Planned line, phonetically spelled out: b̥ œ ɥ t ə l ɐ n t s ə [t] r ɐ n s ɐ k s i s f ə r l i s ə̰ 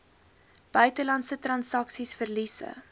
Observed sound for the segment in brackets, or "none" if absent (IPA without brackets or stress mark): t